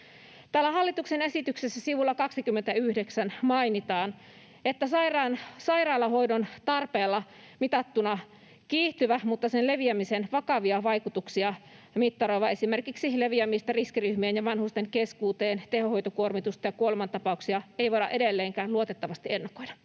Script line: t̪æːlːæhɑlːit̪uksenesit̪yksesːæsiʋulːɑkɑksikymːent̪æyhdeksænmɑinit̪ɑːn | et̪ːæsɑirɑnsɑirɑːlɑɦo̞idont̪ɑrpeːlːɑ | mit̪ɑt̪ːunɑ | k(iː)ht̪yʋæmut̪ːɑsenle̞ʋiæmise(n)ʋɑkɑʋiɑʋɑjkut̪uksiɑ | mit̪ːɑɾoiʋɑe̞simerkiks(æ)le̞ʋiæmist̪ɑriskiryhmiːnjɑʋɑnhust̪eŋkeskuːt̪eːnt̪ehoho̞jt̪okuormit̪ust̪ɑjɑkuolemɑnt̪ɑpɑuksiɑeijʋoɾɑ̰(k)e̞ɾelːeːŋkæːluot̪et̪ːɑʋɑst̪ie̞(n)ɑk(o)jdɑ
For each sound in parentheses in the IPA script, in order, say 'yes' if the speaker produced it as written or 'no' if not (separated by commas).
yes, yes, no, no, no, yes